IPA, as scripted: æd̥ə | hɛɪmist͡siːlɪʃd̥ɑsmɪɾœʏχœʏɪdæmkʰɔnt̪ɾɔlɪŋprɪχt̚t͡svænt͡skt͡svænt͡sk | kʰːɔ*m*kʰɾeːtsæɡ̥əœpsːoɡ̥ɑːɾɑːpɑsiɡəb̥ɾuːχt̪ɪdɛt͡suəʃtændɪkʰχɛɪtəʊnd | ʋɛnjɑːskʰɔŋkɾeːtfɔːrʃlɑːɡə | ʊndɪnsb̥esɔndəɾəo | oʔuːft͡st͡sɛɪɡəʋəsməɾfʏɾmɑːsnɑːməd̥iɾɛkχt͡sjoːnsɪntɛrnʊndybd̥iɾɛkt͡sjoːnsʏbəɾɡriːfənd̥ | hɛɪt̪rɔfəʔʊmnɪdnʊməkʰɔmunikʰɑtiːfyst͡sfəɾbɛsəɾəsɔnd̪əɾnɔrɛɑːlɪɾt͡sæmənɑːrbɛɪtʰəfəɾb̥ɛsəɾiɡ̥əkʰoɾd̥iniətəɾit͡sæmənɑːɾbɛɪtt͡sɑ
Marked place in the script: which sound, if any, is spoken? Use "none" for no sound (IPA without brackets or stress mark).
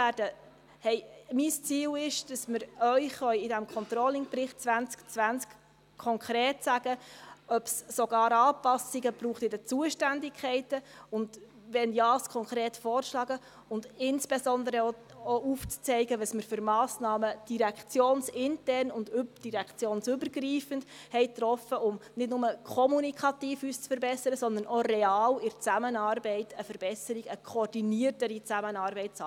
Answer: ŋ